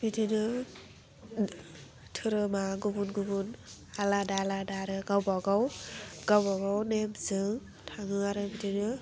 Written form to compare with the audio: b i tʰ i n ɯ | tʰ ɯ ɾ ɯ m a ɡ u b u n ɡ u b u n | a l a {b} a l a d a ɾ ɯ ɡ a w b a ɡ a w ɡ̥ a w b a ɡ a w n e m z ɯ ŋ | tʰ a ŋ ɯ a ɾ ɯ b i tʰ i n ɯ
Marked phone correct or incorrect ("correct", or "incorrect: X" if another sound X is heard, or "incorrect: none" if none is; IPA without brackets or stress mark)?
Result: incorrect: d